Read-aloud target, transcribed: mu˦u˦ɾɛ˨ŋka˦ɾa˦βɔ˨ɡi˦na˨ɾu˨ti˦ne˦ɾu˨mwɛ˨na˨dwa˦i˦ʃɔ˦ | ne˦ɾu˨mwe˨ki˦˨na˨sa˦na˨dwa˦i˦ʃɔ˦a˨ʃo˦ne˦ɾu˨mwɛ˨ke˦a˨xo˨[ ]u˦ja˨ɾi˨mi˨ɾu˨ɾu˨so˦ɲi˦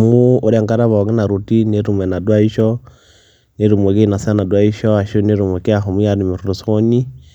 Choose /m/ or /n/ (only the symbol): m